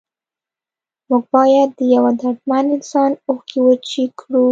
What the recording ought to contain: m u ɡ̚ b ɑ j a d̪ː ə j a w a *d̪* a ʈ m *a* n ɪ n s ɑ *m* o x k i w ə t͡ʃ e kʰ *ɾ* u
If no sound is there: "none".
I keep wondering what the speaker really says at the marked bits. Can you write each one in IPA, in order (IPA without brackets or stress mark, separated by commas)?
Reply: d̪, a, n, ɽ